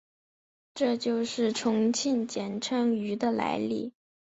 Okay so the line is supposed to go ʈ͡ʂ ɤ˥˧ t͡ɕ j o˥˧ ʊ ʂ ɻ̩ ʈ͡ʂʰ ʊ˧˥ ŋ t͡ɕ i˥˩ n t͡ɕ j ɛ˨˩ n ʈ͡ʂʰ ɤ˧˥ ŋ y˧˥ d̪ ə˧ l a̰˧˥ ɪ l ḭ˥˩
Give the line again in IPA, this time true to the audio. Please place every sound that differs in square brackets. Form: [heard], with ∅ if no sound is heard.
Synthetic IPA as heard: ʈ͡ʂ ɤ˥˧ t͡ɕ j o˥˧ ʊ ʂ ɻ̩ ʈ͡ʂʰ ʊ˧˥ ŋ [t͡ɕʰ] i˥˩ n t͡ɕ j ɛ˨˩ n ʈ͡ʂʰ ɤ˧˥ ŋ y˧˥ d̪ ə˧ l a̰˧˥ ɪ l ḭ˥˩